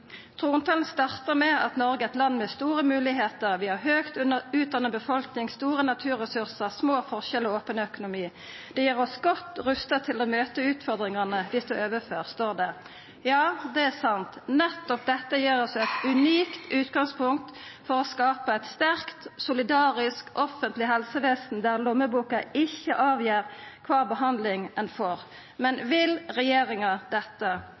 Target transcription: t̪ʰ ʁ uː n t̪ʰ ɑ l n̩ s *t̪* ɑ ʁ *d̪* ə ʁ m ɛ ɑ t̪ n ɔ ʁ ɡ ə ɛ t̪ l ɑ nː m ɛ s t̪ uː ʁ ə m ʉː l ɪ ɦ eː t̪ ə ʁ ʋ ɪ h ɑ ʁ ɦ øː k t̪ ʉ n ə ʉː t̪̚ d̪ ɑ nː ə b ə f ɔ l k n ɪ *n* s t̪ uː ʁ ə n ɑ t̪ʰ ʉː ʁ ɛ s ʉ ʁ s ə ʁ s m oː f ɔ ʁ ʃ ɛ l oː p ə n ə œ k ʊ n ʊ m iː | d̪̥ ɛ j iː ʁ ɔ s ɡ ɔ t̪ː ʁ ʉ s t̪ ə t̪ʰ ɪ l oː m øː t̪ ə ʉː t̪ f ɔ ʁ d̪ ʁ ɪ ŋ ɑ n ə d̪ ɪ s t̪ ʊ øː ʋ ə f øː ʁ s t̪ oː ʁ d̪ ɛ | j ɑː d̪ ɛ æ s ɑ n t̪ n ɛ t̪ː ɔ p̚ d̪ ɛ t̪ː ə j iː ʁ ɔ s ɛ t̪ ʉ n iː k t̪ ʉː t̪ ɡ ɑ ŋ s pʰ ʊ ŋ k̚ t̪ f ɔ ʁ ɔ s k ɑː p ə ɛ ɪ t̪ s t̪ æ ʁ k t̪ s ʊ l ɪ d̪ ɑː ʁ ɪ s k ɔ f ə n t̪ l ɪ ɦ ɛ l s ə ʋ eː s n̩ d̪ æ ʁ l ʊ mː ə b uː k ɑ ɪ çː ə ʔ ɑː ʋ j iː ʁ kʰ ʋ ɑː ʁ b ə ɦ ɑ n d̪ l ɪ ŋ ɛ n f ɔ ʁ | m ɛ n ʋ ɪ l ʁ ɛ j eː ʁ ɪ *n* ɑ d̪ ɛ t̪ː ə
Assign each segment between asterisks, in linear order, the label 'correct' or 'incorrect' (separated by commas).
correct, incorrect, incorrect, incorrect